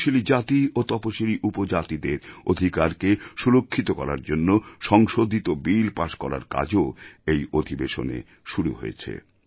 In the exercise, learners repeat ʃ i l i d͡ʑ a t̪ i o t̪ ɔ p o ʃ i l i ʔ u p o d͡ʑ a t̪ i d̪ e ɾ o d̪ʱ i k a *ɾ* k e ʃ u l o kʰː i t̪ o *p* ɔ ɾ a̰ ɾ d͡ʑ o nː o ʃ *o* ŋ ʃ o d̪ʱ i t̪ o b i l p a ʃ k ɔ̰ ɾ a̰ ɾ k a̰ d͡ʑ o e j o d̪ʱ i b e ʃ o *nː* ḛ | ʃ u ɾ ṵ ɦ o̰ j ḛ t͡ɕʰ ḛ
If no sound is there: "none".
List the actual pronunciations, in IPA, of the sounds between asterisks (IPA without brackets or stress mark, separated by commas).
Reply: ɾ, k, ɔ, n